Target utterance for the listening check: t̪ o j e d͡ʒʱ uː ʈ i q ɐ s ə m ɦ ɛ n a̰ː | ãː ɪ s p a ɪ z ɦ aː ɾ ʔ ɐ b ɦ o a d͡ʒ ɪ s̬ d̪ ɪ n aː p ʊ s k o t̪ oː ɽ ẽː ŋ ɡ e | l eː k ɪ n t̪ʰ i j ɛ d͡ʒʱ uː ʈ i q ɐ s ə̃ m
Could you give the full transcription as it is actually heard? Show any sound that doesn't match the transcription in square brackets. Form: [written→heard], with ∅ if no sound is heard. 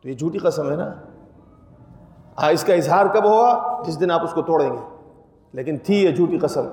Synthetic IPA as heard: t̪ o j e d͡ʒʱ uː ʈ i q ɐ s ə m ɦ ɛ n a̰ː | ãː ɪ s [p→k] a ɪ z ɦ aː ɾ [ʔ→k] ɐ b ɦ o a d͡ʒ ɪ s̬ d̪ ɪ n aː p ʊ s k o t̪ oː ɽ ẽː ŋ ɡ e | l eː k ɪ n t̪ʰ i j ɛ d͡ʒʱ uː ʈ i q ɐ s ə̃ m